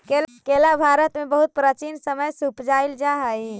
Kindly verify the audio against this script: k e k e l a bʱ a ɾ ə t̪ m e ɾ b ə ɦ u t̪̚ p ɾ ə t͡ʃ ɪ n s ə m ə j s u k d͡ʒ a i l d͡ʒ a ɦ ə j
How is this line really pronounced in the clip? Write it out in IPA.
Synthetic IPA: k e k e l a bʱ a ɾ ə t̪ m e b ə ɦ u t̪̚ p ɾ ə t͡ʃ i n s ə m ə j s u p d͡ʒ a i l d͡ʒ a ɦ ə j